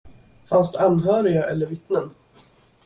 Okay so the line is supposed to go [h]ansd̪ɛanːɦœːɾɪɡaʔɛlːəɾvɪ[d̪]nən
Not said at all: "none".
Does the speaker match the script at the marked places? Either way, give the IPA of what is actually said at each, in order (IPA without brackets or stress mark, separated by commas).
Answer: f, t̪